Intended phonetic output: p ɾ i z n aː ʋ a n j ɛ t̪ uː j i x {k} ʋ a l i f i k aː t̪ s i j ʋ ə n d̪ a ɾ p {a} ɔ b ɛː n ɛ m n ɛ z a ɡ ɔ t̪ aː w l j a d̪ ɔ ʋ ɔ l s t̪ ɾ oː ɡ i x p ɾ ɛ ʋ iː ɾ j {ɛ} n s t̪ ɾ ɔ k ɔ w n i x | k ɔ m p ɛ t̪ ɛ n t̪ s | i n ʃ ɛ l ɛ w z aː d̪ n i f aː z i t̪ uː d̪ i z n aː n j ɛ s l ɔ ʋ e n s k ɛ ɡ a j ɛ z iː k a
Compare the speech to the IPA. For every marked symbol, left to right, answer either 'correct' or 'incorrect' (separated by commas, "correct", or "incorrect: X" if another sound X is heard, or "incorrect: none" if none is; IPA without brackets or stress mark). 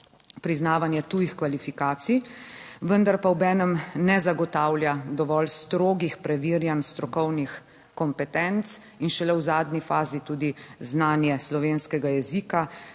correct, correct, incorrect: a